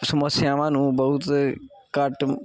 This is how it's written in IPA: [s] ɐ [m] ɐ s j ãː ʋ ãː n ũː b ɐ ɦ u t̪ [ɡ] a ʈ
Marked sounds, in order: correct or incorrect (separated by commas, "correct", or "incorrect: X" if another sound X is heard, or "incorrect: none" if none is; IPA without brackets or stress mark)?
correct, correct, incorrect: k